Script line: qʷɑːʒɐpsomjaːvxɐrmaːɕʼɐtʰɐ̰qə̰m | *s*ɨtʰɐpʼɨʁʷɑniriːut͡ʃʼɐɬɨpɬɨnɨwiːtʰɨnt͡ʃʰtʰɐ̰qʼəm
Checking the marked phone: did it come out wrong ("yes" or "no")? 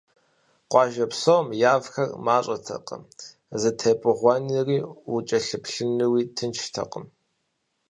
yes